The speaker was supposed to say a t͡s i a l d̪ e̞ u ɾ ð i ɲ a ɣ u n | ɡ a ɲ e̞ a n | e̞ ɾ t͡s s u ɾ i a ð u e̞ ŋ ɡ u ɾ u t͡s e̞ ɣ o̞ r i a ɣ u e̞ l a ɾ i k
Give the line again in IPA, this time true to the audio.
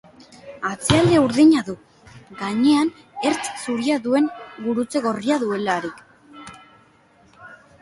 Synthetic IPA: a t͡s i a l d̪ e̞ u ɾ ð i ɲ a ð u | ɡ a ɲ e̞ a n | e̞ ɾ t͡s s u ɾ i a ð u e̞ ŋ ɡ u ɾ u t͡s e̞ ɣ o̞ r i a ð u e̞ l a ɾ i k